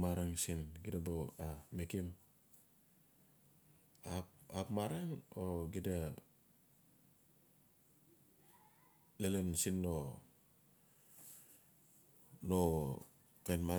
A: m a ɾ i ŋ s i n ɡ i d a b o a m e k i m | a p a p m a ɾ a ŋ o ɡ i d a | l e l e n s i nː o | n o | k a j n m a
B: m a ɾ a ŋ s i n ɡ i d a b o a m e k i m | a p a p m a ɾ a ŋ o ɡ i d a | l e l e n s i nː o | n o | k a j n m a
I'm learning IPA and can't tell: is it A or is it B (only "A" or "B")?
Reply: B